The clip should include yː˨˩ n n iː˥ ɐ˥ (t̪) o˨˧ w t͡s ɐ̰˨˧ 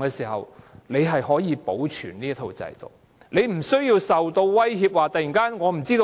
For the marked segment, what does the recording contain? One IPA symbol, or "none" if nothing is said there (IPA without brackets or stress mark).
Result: t̪ʰ